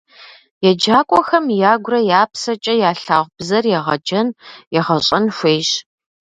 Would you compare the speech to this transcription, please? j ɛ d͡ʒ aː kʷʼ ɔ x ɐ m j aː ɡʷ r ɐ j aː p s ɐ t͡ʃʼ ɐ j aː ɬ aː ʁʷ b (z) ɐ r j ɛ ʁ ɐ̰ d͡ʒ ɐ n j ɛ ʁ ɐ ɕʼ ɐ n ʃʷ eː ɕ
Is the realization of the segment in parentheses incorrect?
no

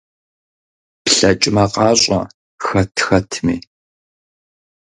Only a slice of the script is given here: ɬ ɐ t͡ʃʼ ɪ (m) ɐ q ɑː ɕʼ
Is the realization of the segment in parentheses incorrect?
no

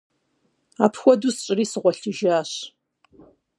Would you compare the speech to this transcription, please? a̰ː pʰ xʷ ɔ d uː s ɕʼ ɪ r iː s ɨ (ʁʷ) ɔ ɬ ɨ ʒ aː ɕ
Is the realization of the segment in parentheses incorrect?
no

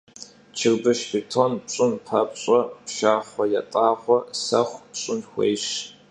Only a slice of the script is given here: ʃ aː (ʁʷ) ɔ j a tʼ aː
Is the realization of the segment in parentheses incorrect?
yes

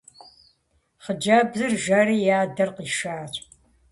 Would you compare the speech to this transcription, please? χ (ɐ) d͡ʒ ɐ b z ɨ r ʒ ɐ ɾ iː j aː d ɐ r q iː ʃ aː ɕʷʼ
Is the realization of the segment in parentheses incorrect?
yes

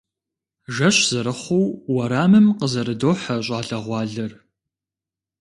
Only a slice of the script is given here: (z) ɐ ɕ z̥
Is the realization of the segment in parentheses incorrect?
yes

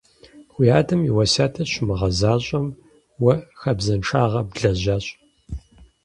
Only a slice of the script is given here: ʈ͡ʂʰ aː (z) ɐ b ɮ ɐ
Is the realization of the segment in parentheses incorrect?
yes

